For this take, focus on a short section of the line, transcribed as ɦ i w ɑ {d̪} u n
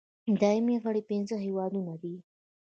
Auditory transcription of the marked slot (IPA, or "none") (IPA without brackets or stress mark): d̪